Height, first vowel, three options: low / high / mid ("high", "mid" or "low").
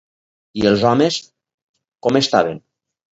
high